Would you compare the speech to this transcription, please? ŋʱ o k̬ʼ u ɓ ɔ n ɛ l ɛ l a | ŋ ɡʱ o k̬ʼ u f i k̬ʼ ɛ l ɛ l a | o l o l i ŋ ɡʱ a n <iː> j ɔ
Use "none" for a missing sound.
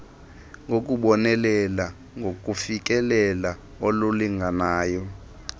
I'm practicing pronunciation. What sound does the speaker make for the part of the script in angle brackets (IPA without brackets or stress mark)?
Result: aː